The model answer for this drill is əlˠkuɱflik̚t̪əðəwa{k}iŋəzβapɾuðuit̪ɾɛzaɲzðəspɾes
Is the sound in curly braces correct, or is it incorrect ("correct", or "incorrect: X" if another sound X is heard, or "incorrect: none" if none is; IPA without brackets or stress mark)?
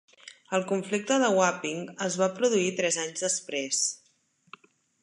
incorrect: p